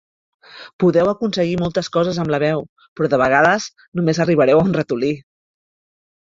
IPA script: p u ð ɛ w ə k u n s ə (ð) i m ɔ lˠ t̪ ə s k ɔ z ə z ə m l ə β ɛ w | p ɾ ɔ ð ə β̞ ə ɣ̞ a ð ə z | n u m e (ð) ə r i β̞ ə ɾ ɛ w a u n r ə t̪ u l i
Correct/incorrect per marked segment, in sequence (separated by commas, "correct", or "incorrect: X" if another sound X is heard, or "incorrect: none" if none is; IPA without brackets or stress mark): incorrect: ɣ, incorrect: z